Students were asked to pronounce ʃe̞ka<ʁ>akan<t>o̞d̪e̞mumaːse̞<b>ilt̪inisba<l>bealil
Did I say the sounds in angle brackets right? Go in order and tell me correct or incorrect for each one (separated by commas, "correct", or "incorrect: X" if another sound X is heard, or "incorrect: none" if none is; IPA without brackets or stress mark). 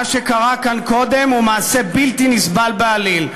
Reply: correct, incorrect: k, correct, correct